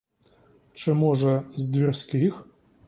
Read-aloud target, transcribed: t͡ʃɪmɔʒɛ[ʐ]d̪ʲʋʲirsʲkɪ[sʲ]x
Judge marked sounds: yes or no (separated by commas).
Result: no, no